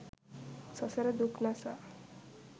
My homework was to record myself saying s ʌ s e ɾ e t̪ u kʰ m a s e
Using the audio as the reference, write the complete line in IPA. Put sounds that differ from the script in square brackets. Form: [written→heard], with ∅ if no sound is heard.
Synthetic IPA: s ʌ s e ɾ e [t̪→d̪] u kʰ [m→n] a s [e→a]